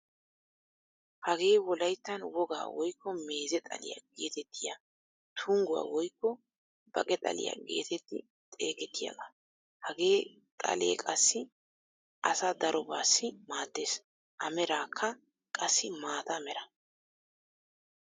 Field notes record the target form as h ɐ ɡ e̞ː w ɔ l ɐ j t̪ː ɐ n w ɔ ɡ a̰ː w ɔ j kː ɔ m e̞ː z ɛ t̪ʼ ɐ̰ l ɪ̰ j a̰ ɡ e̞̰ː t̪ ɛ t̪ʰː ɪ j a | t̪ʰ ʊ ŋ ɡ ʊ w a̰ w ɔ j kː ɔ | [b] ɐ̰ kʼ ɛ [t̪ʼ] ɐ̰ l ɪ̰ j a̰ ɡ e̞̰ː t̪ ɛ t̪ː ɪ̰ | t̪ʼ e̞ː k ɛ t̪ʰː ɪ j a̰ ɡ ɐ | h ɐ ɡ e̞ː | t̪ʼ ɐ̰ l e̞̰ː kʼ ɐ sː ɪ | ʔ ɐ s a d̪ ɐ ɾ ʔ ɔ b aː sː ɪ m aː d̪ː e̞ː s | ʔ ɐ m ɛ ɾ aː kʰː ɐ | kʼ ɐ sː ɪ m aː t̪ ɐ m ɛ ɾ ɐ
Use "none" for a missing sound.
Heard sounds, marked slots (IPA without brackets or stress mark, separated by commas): b, t̪ʼ